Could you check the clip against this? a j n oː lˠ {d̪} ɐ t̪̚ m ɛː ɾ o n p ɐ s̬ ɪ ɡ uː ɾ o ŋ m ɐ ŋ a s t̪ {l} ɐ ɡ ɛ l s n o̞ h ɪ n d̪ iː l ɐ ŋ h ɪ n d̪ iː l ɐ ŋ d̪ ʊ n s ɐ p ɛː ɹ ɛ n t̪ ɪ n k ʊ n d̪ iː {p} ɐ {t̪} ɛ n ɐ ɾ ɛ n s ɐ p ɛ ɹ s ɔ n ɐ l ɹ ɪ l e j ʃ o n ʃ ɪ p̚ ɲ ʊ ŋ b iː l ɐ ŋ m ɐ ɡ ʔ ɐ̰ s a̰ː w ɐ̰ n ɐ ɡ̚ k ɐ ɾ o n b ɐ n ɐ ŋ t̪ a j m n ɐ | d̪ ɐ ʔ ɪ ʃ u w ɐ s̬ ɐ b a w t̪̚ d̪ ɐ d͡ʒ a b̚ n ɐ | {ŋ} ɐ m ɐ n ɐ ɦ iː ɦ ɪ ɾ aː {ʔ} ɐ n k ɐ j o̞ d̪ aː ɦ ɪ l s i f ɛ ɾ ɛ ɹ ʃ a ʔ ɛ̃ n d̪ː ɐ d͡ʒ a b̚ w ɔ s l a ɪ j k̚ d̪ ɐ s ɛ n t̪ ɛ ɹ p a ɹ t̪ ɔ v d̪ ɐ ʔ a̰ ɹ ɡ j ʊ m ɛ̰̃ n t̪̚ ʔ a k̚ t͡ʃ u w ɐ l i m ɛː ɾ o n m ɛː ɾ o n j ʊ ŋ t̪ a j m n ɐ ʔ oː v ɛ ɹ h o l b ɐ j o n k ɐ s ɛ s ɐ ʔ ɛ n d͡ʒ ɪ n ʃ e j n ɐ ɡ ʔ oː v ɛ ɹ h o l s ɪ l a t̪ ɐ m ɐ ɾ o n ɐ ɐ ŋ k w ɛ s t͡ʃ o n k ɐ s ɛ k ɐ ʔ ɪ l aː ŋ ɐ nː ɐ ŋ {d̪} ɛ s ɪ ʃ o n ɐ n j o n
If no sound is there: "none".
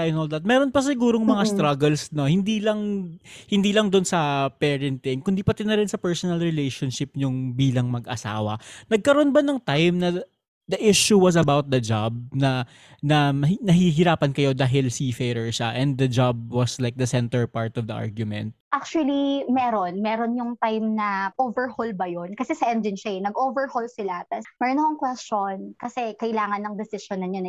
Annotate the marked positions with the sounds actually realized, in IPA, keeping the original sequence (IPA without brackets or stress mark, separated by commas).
d̪, ɾ, p, t̪, n, p, d̪